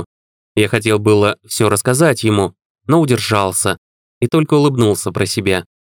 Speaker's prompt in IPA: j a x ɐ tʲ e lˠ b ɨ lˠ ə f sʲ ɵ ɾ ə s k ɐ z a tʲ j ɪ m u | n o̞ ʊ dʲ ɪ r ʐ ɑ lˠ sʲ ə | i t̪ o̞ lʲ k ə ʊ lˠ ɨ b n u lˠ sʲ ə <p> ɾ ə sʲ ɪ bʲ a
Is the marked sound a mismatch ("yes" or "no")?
no